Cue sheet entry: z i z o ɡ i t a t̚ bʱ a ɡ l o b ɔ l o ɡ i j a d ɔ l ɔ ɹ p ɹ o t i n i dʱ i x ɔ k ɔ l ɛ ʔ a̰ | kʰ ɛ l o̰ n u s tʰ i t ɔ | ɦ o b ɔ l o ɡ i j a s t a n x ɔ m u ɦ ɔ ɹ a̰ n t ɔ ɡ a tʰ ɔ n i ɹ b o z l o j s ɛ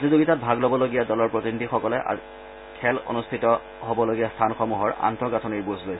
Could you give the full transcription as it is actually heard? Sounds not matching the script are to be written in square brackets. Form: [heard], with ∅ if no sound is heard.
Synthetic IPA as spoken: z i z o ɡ i t a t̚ bʱ a ɡ l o b ɔ l o ɡ i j a d ɔ l ɔ ɹ p ɹ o t i n i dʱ i x ɔ k ɔ l ɛ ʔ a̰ | kʰ ɛ l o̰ n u s tʰ i t ɔ | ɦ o b ɔ l o ɡ i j a s [tʰ] a n x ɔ m u ɦ ɔ ɹ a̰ n t ɔ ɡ a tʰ ɔ n i ɹ b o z l o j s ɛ